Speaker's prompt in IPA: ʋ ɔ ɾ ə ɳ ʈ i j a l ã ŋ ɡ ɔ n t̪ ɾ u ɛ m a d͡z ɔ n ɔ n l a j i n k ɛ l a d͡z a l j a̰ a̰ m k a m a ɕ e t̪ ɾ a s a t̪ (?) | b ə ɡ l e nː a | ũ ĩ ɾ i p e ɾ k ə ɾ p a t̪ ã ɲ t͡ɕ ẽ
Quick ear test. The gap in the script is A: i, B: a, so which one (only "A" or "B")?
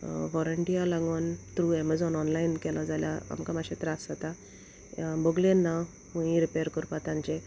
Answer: B